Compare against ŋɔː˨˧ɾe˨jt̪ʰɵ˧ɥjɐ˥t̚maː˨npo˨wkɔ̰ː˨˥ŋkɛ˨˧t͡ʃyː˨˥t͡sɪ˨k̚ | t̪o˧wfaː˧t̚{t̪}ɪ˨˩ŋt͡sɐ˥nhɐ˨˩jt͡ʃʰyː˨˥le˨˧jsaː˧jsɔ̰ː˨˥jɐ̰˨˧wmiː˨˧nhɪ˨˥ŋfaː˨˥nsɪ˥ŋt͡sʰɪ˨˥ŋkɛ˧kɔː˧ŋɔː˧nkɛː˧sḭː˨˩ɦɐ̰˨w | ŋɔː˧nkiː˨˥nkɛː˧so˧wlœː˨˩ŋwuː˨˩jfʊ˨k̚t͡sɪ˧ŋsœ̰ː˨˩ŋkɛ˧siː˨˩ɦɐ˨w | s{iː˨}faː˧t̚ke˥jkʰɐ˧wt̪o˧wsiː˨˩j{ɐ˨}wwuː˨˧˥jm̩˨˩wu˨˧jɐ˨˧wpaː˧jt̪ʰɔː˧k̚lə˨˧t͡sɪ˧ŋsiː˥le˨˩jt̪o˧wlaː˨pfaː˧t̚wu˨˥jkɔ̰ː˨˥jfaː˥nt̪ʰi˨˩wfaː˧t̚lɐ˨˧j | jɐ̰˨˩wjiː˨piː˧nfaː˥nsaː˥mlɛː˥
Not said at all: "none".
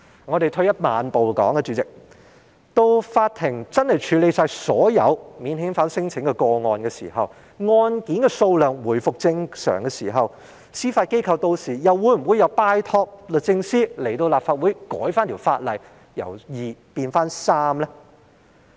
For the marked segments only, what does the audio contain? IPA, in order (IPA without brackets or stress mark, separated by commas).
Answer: t̪ʰ, iː˥, ɐ˨